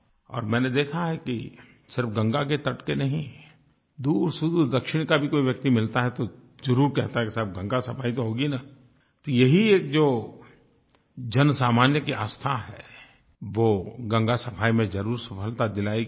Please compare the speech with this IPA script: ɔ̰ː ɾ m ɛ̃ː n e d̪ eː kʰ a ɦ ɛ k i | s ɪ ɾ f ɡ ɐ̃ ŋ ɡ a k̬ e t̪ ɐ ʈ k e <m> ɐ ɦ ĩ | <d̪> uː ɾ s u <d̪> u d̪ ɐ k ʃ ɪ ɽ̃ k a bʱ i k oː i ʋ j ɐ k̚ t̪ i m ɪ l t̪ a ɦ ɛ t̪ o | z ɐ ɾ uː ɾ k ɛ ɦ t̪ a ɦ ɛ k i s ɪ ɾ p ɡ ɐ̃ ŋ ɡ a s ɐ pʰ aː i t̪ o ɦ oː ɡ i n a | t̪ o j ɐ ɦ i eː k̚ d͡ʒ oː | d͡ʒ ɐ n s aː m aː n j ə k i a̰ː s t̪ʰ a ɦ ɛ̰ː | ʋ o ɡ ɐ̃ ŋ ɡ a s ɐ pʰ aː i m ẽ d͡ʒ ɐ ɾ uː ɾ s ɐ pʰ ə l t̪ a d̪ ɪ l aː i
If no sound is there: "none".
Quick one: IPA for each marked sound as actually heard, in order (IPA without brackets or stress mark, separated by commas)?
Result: n, d̪, d̪